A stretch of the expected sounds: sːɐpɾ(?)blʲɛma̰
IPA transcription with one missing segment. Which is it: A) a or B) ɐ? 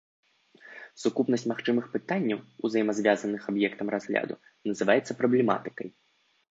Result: B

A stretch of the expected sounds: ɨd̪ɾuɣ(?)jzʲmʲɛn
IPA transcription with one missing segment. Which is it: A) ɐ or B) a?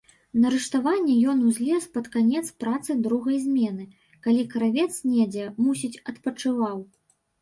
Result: A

